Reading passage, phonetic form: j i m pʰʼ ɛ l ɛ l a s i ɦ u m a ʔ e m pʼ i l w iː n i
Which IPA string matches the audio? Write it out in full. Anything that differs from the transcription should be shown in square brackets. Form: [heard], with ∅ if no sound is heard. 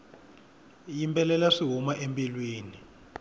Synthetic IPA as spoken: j i m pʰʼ ɛ l ɛ l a [ʂ] i ɦ u m a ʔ e m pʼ i l w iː n i

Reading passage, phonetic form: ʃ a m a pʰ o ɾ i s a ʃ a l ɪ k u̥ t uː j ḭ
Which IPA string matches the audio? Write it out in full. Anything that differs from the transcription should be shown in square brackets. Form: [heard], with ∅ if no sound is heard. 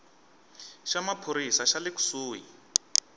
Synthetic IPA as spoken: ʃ a m a pʰ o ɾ i s a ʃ a l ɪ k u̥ [s] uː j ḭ

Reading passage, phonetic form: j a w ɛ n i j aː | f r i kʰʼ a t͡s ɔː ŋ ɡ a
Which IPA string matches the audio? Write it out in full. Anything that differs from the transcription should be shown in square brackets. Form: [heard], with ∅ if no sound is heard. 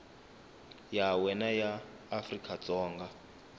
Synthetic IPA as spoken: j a w ɛ n [a] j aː | f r i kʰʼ a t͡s ɔː ŋ ɡ a

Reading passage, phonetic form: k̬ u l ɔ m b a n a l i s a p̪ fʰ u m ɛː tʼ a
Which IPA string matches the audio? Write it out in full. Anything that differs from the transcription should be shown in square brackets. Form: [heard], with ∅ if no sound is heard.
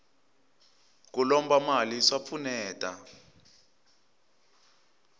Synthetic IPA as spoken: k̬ u l ɔ m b a [m] a l i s a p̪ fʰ u [n] ɛː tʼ a

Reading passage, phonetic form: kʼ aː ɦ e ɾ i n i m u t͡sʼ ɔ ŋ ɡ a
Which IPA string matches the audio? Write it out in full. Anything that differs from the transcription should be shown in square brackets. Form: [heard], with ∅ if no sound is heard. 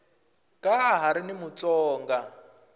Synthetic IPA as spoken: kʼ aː ɦ [a] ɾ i n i m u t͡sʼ [ɔː] ŋ ɡ a

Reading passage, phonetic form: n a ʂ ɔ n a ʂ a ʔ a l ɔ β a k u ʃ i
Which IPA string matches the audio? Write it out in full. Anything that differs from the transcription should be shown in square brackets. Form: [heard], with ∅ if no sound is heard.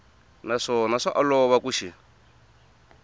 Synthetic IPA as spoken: n a ʂ ɔ n a ʂ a ʔ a l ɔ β a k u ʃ i

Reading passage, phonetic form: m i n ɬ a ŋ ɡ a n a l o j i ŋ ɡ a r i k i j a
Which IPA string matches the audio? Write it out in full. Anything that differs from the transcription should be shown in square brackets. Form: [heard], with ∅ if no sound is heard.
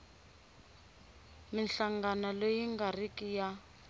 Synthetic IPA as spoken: m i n ɬ a ŋ ɡ a n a l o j i ŋ ɡ a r i k i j a

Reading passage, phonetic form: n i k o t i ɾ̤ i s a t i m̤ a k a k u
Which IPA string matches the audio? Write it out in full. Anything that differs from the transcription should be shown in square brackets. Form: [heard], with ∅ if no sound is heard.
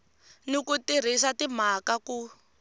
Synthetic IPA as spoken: n i k [u] t i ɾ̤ i s a t i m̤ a k a k u

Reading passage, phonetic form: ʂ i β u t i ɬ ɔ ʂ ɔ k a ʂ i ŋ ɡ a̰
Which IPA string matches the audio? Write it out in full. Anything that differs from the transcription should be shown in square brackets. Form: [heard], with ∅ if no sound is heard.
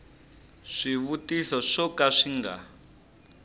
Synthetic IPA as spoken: ʂ i β u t i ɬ ɔ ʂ ɔ k a ʂ i ŋ ɡ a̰

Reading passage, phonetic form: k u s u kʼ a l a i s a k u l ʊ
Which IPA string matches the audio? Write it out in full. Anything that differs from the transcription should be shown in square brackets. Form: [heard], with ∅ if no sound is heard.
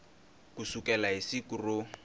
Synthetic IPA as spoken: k u s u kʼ [ɛ] l a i s [i] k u [r] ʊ

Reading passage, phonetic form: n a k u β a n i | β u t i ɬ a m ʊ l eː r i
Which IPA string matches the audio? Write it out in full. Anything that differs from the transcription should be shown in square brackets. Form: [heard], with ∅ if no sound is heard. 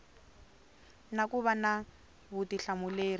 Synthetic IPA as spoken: n a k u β a n [a] | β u t i ɬ a m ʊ l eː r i

